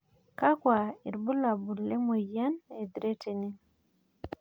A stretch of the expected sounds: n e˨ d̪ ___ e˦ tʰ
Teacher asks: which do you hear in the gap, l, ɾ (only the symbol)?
ɾ